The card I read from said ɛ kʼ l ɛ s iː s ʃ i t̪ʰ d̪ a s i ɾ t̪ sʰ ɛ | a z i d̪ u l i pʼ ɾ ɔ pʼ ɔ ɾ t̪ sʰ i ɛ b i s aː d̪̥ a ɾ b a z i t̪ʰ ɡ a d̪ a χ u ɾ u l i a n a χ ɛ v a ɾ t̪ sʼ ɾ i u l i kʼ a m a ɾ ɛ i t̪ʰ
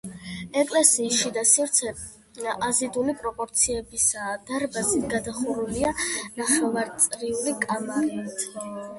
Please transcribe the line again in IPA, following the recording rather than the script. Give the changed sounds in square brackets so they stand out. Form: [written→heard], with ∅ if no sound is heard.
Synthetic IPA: ɛ kʼ l ɛ s iː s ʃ i [t̪ʰ→∅] d̪ a s i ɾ t̪ sʰ ɛ | a z i d̪ u l i pʼ ɾ ɔ pʼ ɔ ɾ t̪ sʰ i ɛ b i s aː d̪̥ a ɾ b a z i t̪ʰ ɡ a d̪ a χ u ɾ u l i a n a χ ɛ v a ɾ t̪ sʼ ɾ i u l i kʼ a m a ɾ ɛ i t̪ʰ